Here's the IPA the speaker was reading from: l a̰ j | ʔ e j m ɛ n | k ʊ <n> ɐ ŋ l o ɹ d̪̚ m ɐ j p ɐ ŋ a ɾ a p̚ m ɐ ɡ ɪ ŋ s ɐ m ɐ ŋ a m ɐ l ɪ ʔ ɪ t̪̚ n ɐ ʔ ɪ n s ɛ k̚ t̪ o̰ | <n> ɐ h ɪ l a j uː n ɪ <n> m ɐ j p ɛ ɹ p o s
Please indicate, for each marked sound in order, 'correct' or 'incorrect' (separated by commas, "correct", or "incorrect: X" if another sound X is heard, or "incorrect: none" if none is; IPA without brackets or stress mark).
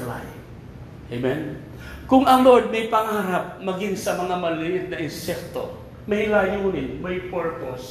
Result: incorrect: ŋ, incorrect: m, correct